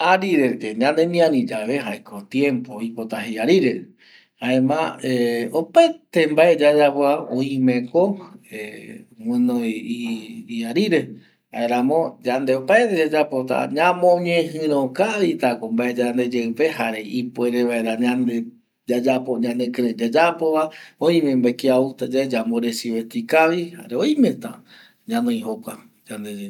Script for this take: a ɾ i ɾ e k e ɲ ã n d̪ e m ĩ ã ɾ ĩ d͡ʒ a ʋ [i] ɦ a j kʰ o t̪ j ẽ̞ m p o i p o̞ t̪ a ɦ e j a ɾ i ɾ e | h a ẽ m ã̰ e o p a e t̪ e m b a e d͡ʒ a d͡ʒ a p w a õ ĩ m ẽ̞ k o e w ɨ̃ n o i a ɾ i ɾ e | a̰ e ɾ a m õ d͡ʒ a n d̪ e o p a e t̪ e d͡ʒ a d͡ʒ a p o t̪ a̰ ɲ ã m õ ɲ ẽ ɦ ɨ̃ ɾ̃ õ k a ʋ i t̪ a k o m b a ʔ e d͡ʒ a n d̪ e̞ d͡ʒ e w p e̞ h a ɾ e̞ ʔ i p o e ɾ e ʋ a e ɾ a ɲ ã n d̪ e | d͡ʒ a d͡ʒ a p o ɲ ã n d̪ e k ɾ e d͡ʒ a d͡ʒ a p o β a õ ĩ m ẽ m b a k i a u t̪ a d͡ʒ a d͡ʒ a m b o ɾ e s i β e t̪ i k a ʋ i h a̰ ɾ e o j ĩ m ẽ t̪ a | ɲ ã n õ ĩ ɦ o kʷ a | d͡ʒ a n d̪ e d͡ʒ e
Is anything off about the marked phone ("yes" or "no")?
yes